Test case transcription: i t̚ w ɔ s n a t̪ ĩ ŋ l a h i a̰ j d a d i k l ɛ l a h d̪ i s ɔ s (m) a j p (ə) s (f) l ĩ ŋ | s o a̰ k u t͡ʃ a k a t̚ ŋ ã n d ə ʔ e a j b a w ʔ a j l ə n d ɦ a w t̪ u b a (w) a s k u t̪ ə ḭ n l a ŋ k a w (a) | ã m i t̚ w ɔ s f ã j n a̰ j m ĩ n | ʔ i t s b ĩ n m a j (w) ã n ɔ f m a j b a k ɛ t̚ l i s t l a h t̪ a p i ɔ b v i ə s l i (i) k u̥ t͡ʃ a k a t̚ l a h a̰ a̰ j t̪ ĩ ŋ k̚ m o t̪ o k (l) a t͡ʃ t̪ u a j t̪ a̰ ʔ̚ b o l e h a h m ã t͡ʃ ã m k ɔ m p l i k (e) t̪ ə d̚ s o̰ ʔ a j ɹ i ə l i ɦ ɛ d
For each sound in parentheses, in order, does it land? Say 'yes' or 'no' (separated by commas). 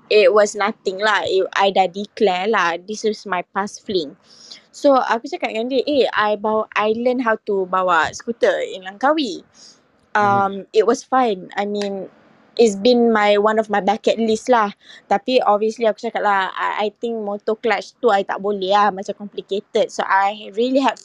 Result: yes, no, yes, yes, no, yes, no, yes, yes